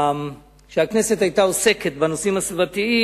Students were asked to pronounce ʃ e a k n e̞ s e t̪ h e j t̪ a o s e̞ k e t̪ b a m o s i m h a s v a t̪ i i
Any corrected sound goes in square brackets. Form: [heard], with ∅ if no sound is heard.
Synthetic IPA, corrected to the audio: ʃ e a k n e̞ s e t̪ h [a] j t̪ a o s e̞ k e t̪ b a [n] o s i m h a s v a t̪ i i